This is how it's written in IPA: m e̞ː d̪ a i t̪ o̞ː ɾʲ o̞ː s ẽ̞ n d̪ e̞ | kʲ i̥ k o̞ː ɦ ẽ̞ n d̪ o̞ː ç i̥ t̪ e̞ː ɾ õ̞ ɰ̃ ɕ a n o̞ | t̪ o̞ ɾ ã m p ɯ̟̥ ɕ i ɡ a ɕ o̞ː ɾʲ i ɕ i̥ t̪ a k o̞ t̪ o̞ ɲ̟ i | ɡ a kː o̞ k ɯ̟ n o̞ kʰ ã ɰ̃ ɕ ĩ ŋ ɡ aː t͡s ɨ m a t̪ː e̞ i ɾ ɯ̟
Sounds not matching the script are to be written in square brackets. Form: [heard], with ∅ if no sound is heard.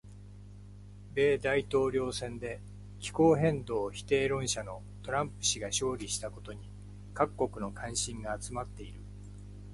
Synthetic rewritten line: [b] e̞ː d̪ a i t̪ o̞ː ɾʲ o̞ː s ẽ̞ n d̪ e̞ | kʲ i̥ k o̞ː ɦ ẽ̞ n d̪ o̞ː ç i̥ t̪ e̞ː ɾ õ̞ ɰ̃ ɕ a n o̞ | t̪ o̞ ɾ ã m p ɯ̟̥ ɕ i ɡ a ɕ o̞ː ɾʲ i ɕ i̥ t̪ a k o̞ t̪ o̞ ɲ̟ i | [k] a kː o̞ k ɯ̟ n o̞ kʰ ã ɰ̃ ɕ ĩ ŋ ɡ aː t͡s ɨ m a t̪ː e̞ i ɾ ɯ̟